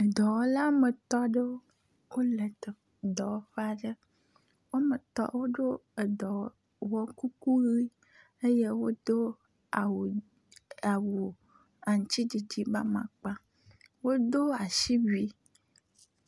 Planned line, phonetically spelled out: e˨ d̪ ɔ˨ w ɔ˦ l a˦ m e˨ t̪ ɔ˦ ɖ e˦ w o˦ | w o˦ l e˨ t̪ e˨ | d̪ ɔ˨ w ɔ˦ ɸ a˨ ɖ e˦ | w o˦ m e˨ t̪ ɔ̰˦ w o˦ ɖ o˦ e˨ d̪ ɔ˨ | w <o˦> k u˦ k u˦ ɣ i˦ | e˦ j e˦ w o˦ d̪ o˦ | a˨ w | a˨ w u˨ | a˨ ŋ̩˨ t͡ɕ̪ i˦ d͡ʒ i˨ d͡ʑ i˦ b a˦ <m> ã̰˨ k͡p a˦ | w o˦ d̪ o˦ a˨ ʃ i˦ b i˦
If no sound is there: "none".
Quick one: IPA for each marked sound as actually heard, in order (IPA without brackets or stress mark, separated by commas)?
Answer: ɔ˦, m